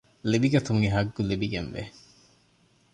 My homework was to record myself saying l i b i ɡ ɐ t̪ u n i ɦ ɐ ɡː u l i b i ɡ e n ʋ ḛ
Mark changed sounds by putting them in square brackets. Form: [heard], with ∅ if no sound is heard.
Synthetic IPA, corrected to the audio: l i b i ɡ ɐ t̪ u [ŋ] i ɦ ɐ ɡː u l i b i ɡ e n ʋ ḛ